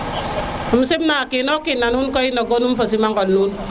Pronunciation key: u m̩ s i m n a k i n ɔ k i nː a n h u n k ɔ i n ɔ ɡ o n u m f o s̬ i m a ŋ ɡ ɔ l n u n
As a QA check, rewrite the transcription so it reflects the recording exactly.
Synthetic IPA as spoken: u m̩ s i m n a k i n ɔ k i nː a n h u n k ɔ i n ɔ ɡ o n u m f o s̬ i m a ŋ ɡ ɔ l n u n